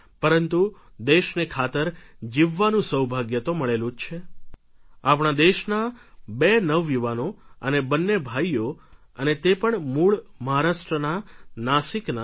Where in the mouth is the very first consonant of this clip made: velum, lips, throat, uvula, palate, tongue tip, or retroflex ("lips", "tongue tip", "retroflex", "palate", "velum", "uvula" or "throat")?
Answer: lips